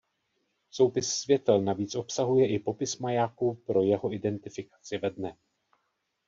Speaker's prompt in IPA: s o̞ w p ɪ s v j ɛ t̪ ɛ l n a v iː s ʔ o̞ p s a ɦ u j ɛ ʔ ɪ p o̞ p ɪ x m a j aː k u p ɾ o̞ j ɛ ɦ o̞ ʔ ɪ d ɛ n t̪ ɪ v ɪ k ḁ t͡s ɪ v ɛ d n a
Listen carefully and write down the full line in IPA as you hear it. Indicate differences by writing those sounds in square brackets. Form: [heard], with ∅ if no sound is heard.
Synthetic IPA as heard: s o̞ w p ɪ [sː] v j ɛ t̪ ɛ l n a v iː [t͡s] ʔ o̞ p s a ɦ u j ɛ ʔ ɪ p o̞ p ɪ [s] m a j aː k u p ɾ o̞ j ɛ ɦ o̞ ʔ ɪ d ɛ n t̪ ɪ [f] ɪ k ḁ t͡s ɪ v ɛ d n [ɛ]